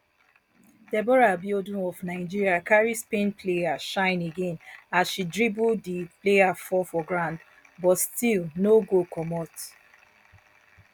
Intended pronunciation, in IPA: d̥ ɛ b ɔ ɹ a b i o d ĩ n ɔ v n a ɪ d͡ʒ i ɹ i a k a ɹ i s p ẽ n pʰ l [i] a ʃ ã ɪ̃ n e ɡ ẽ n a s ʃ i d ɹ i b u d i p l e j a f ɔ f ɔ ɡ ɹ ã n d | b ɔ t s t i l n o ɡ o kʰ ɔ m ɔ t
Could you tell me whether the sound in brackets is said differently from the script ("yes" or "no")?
yes